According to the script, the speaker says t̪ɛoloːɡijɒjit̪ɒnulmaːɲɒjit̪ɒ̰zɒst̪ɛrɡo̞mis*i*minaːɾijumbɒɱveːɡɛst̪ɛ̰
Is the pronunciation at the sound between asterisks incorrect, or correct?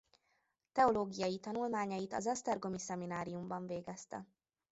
incorrect: ɛ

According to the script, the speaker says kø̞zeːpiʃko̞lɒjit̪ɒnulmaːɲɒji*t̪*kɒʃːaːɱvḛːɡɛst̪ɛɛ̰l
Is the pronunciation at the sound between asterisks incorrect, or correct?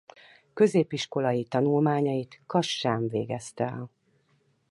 correct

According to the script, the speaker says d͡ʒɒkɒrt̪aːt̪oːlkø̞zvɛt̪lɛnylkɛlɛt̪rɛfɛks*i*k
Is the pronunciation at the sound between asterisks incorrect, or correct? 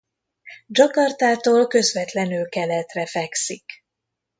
correct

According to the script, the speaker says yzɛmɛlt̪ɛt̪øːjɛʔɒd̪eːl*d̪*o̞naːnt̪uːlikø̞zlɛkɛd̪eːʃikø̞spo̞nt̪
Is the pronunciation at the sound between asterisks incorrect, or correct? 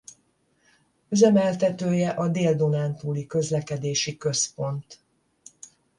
correct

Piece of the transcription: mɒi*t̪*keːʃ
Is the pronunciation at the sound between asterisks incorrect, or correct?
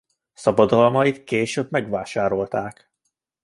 correct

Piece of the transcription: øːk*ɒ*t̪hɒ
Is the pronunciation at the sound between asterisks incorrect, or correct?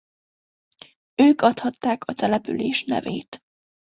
correct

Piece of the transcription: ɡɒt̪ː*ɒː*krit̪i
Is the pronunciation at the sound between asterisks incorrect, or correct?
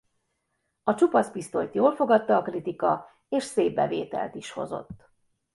correct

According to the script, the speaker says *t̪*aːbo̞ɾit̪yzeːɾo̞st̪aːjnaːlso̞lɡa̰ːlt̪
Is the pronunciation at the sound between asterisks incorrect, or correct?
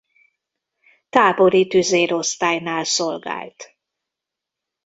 correct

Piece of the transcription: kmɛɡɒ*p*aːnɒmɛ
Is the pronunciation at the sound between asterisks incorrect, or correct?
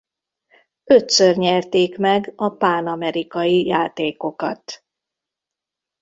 correct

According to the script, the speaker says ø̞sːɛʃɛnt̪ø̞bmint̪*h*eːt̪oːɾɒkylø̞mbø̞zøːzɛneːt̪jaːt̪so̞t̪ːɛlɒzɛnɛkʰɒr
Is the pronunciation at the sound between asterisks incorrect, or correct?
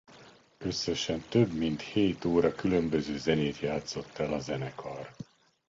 correct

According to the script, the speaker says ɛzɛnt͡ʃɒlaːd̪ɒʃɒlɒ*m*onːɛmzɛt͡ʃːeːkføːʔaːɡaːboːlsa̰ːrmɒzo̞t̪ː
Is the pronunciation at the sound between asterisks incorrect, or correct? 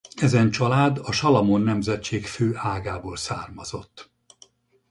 correct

